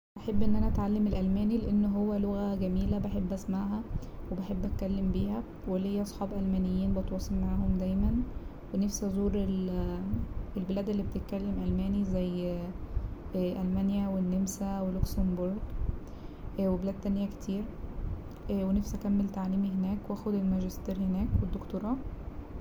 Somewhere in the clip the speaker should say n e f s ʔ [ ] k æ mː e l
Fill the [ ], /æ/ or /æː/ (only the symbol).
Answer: æ